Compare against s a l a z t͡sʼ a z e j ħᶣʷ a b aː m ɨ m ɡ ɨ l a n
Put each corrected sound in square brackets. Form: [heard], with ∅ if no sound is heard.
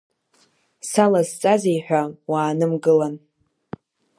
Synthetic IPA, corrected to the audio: s a l a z t͡sʼ a z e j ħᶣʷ a [w] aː [n] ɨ m ɡ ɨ l a n